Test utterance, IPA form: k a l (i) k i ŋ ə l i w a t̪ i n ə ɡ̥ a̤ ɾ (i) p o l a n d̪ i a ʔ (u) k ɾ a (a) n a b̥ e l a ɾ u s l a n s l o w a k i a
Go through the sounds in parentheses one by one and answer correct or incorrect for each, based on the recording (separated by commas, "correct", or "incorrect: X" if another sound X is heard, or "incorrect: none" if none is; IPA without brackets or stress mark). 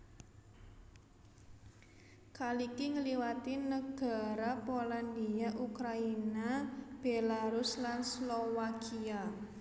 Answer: correct, incorrect: a, correct, incorrect: i